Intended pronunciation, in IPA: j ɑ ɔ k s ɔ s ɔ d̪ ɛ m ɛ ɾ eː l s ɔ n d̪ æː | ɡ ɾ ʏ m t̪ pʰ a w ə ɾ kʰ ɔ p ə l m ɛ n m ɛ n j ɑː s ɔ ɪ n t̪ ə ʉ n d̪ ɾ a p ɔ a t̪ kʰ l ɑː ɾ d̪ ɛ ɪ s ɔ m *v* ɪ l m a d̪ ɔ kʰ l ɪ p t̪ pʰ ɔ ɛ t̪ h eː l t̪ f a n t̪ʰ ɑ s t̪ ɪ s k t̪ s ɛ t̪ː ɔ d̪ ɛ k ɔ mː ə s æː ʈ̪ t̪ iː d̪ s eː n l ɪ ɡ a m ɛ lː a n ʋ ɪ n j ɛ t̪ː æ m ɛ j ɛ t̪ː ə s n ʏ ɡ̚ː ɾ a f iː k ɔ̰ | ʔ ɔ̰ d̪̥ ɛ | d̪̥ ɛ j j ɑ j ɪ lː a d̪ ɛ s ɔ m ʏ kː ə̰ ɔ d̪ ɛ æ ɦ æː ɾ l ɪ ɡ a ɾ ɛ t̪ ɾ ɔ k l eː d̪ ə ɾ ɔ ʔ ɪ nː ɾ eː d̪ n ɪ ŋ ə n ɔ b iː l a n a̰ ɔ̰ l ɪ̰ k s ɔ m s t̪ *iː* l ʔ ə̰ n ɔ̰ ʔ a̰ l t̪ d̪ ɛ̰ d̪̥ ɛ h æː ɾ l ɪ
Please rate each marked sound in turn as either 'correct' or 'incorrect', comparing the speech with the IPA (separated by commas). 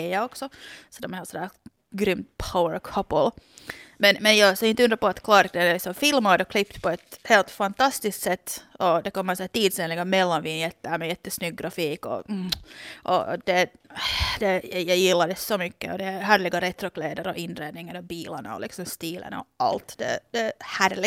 incorrect, correct